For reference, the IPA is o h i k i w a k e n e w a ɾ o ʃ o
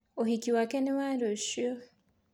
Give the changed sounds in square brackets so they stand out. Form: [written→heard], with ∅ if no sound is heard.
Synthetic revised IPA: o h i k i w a k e n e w a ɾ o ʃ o